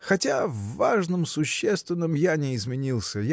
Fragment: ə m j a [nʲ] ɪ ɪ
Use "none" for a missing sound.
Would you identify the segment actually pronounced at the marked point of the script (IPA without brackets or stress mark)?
nʲ